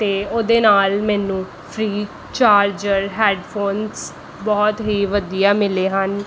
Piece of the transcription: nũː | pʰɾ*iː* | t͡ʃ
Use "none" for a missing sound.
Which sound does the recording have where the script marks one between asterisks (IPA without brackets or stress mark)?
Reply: iː